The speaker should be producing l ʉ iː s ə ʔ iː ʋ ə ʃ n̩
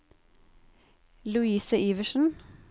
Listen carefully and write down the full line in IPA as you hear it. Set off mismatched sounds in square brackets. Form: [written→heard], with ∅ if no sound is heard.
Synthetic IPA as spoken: l ʉ iː s ə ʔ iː ʋ ə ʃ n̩